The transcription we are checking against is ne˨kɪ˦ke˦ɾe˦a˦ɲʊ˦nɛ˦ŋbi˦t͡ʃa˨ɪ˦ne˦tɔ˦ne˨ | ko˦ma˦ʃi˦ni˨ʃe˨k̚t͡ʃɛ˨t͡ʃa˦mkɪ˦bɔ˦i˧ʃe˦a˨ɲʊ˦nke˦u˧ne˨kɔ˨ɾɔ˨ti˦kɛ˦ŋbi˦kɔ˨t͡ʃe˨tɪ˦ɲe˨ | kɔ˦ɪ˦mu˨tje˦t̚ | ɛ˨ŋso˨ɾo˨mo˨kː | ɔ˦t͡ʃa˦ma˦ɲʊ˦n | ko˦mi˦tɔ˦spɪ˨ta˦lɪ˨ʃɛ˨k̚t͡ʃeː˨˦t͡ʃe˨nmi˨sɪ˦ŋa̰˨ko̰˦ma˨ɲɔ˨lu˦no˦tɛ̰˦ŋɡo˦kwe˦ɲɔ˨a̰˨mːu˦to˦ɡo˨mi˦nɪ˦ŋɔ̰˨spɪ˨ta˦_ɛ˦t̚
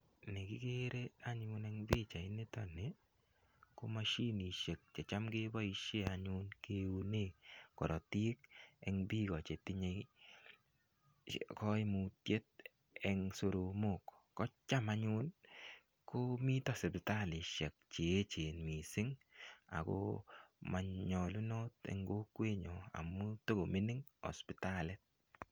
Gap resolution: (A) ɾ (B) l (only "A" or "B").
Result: B